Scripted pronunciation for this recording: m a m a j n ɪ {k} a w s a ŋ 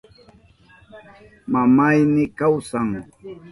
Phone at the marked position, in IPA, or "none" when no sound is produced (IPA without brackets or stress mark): k